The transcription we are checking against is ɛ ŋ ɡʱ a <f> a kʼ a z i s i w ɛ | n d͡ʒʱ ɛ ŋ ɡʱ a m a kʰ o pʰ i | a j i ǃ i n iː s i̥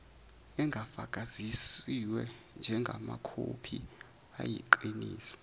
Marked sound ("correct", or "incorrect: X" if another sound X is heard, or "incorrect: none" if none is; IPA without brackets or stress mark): correct